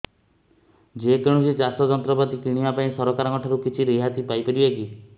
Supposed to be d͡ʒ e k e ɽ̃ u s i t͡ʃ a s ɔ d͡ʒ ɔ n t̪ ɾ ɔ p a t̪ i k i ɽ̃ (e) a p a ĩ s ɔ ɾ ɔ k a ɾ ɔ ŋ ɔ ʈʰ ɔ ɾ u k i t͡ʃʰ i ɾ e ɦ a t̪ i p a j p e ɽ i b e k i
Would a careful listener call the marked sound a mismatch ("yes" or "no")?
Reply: yes